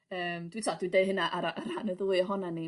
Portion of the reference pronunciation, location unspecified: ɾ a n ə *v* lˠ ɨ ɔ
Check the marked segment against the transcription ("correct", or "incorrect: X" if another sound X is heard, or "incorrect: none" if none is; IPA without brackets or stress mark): incorrect: ð